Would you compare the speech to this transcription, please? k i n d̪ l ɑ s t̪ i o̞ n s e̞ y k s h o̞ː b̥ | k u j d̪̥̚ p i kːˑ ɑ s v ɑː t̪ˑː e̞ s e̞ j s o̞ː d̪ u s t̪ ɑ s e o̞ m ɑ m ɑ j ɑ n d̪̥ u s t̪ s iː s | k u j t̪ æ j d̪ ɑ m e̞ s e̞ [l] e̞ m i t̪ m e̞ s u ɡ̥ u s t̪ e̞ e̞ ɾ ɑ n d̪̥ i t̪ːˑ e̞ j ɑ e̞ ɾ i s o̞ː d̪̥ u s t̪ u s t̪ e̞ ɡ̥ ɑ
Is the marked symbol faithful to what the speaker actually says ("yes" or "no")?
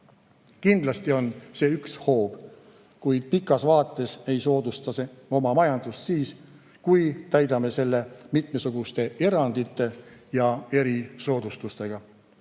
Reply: no